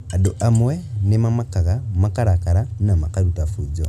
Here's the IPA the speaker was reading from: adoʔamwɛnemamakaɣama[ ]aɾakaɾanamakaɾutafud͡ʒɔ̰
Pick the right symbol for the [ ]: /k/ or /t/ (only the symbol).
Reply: k